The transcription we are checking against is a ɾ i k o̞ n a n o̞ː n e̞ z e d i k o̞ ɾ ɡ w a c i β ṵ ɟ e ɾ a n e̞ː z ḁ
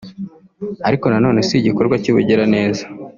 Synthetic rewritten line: a ɾ i k o̞ n a n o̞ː n e̞ s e ɟ i k o̞ ɾ ɡ w a c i β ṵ ɟ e ɾ a n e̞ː z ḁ